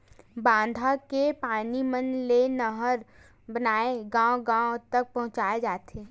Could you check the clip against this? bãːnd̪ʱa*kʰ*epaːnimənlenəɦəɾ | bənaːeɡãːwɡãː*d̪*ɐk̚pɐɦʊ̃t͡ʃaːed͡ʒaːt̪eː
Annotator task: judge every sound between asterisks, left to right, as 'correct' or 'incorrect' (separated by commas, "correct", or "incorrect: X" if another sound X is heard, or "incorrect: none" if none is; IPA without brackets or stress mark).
incorrect: k, incorrect: t̪